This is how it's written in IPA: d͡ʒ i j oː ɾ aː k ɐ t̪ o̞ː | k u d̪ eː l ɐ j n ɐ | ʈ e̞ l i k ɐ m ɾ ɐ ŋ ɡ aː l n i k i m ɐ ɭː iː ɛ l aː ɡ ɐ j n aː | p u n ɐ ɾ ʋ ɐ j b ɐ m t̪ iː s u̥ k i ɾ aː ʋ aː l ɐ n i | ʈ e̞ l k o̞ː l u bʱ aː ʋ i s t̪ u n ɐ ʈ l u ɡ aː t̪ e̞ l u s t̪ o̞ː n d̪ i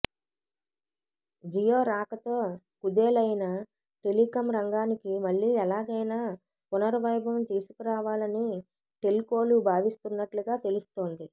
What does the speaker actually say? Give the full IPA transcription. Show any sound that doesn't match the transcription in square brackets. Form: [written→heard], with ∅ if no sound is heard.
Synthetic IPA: d͡ʒ i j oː ɾ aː k ɐ t̪ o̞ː | k u d̪ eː l ɐ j n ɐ | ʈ e̞ l i k ɐ m ɾ ɐ ŋ ɡ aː [l→∅] n i k i m ɐ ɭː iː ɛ l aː ɡ ɐ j n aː | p u n ɐ ɾ ʋ ɐ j b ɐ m t̪ iː s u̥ k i ɾ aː ʋ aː l ɐ n i | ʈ e̞ l k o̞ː l u bʱ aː ʋ i s t̪ u [n→nː] ɐ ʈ l u ɡ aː t̪ e̞ l u s t̪ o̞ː n d̪ i